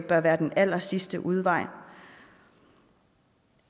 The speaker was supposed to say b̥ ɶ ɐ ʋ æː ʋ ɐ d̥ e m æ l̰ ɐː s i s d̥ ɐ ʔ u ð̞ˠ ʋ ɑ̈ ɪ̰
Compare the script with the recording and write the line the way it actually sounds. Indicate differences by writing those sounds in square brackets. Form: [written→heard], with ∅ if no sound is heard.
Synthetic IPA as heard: b̥ ɶ ɐ ʋ æː [ʋ→∅] ɐ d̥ e [m→n] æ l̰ [ɐː→ɐ] s i s d̥ [ɐ→ə] ʔ u ð̞ˠ ʋ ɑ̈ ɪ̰